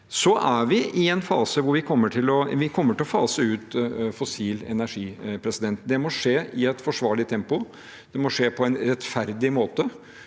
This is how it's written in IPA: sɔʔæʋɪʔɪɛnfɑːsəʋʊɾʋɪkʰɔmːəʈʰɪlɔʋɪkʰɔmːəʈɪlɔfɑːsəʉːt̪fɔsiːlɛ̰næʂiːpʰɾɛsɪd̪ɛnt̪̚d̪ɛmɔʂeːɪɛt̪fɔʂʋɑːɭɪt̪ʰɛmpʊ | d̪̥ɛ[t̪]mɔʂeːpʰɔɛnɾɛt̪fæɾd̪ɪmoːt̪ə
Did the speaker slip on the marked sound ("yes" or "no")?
yes